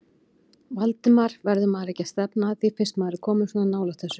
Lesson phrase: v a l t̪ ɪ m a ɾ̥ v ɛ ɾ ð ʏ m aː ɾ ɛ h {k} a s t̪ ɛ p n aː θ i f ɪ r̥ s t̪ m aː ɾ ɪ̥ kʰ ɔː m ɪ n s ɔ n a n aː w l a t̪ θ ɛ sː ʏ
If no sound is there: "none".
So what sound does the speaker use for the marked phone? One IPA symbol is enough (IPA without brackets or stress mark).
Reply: c